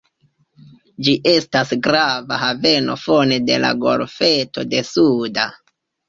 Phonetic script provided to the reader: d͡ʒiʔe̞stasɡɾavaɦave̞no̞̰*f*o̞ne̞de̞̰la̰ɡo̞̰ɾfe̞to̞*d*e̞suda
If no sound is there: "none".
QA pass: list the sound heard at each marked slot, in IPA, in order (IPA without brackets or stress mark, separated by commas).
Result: f, d